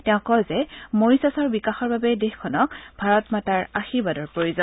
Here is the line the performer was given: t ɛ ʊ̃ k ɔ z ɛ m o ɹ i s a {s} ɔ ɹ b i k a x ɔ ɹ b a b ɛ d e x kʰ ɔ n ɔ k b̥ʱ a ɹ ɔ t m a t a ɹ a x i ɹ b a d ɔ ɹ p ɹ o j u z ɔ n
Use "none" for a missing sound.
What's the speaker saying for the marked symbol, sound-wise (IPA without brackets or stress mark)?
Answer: s